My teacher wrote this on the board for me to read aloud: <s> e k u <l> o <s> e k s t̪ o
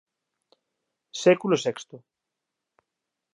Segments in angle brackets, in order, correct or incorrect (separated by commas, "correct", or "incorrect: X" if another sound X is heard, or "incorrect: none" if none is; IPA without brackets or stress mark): correct, correct, correct